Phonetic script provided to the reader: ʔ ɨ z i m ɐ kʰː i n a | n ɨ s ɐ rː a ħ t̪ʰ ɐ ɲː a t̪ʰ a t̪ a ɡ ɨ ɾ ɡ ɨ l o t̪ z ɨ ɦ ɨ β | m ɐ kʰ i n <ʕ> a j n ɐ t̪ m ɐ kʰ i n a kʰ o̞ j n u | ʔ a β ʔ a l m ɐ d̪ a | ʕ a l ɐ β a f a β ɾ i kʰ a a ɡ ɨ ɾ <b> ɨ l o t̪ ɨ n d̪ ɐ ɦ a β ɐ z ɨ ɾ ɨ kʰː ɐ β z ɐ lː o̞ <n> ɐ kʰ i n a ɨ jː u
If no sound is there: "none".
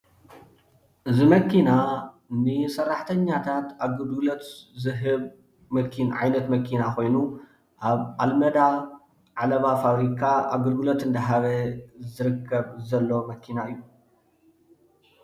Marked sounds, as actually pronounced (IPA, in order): ʕ, ɡ, m

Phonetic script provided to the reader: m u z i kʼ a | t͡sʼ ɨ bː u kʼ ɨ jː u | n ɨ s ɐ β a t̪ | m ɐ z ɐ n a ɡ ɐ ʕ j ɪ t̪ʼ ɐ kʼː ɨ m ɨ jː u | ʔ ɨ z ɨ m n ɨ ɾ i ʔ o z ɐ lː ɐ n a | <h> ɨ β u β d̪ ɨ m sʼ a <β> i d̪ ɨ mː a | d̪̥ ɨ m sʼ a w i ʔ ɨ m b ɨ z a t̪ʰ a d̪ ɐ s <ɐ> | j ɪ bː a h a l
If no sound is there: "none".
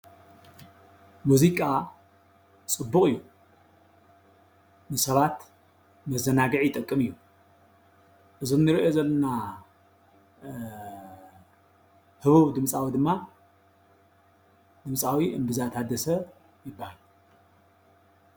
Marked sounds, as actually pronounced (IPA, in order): h, w, ɐ

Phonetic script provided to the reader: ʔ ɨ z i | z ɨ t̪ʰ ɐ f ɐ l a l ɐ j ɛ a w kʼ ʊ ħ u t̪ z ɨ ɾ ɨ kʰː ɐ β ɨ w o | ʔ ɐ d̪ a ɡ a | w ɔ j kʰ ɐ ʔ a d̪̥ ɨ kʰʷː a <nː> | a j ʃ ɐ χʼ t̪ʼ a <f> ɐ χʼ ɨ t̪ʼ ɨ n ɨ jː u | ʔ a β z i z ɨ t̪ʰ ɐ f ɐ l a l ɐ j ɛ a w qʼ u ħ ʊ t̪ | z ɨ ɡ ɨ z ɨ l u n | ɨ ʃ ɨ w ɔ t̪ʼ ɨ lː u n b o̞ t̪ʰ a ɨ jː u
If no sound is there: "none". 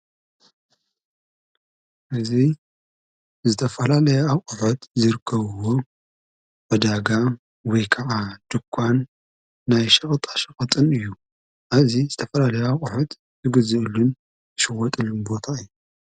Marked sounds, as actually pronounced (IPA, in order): nː, ʃ

